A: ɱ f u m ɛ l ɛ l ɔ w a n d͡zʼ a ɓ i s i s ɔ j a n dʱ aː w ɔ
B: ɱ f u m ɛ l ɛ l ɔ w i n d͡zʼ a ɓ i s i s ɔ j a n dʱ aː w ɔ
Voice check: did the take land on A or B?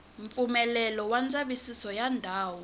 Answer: A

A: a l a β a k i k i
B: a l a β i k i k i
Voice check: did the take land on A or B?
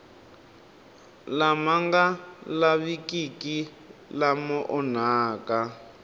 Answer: B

